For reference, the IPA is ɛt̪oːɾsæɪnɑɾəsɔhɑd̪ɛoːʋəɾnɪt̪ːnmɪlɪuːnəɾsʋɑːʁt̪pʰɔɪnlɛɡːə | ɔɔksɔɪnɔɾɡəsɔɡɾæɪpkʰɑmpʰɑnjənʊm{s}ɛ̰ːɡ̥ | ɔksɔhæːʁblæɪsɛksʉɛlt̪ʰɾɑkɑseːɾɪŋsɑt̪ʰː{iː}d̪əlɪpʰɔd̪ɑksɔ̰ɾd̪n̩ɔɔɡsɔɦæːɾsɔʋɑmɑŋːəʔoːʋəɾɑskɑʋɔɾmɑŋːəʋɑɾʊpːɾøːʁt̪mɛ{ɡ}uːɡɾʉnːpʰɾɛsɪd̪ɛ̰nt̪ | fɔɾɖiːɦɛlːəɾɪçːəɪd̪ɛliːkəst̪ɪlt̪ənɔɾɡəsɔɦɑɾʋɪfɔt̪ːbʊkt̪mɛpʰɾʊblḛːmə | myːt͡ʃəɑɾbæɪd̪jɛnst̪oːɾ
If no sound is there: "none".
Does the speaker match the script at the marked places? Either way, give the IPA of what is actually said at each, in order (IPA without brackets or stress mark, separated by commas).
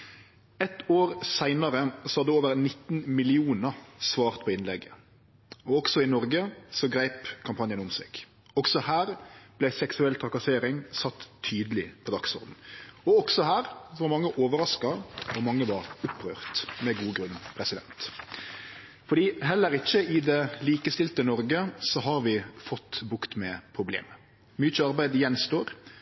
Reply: s, yː, ɡ